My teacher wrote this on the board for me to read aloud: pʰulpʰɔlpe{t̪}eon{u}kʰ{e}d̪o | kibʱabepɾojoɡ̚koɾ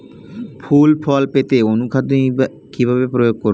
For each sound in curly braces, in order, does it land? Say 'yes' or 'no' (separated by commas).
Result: yes, yes, no